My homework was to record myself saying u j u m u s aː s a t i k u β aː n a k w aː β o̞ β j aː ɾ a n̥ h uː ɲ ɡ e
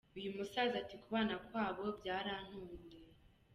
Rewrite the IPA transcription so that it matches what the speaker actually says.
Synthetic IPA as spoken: u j u m u s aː z a t i k u β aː n a k w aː β o̞ b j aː ɾ a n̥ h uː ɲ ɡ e